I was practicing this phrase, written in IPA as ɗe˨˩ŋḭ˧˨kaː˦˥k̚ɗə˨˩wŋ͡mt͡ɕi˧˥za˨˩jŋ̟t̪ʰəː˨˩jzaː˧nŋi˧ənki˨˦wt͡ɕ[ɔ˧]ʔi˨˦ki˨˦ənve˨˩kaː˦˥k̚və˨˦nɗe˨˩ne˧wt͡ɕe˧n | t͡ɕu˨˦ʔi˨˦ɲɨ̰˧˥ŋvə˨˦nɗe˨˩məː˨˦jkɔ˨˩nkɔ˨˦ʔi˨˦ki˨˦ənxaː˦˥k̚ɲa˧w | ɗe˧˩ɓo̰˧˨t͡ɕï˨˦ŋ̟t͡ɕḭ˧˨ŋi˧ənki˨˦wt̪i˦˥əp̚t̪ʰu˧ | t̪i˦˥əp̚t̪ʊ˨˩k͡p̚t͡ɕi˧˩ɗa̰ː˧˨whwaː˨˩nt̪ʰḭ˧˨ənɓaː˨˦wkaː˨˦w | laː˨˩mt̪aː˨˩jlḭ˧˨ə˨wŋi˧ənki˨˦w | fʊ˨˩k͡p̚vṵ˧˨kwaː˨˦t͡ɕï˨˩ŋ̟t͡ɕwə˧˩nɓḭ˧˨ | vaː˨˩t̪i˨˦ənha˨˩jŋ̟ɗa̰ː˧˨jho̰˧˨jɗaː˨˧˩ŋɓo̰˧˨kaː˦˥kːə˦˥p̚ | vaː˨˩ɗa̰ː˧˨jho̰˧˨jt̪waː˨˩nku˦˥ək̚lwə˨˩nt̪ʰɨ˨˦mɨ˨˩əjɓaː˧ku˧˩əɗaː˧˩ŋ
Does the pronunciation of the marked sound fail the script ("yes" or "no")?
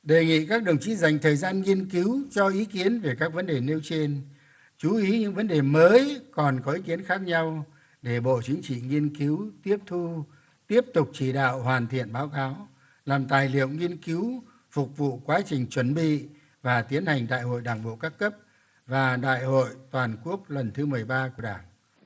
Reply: no